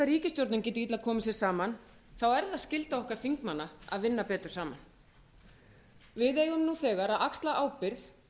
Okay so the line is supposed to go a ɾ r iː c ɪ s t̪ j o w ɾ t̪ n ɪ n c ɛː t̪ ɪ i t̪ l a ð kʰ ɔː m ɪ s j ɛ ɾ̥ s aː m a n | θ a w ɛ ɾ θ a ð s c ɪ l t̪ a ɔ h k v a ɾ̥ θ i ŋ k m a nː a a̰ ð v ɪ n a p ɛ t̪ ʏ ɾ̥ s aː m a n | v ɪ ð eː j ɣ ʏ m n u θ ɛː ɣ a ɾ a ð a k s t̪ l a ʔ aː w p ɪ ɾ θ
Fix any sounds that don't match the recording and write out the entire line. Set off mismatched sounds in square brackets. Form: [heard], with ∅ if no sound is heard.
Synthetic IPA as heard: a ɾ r iː c ɪ s t̪ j o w ɾ t̪ n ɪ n c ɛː t̪ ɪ i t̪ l a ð kʰ ɔː m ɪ s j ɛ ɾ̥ s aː m a n | θ a w ɛ ɾ [ð] a ð s c ɪ l t̪ a ɔ h k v a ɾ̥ θ i ŋ k m a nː a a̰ ð v ɪ [nː] a p [ɛː] t̪ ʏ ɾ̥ s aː m a n | v ɪ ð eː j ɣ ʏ m n u θ ɛː ɣ a ɾ a ð a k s t̪ l a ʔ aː w p ɪ ɾ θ